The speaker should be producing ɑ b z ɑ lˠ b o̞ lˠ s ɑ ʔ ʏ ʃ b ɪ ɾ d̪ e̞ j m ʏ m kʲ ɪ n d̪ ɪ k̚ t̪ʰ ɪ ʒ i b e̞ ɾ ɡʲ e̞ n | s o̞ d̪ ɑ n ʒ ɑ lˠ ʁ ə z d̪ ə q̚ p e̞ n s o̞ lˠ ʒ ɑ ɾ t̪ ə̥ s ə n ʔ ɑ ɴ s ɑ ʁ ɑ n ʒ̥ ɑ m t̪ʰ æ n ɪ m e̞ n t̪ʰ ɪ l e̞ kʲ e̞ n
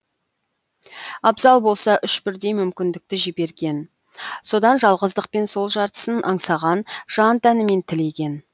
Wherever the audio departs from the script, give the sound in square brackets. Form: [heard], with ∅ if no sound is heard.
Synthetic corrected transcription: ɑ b z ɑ lˠ b o̞ lˠ s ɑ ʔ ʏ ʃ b ɪ ɾ d̪ e̞ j m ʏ m kʲ ɪ n d̪ ɪ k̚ [t̪] ɪ ʒ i b e̞ ɾ ɡʲ e̞ n | s o̞ d̪ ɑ n ʒ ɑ lˠ ʁ ə z d̪ ə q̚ p e̞ n s o̞ lˠ ʒ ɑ ɾ t̪ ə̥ s ə n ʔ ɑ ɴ s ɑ ʁ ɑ n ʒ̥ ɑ [n] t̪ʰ æ n ɪ m e̞ n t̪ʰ ɪ l e̞ kʲ e̞ n